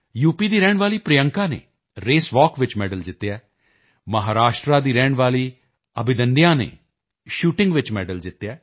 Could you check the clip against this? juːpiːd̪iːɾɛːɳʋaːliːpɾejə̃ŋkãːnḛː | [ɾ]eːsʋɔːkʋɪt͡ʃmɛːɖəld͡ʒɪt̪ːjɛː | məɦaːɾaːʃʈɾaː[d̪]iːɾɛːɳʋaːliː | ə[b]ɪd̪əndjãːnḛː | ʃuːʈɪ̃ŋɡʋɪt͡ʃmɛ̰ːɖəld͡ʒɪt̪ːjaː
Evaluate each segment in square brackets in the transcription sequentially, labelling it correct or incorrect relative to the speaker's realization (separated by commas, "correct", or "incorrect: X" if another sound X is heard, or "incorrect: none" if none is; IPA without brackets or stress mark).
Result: correct, correct, correct